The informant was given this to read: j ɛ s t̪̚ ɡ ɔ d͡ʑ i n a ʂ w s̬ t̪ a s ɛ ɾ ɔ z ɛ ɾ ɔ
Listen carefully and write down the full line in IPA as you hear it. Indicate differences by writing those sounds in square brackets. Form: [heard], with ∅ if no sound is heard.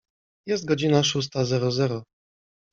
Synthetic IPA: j ɛ s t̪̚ ɡ ɔ d͡ʑ i n a ʂ [u] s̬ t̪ a [z] ɛ ɾ ɔ z ɛ ɾ ɔ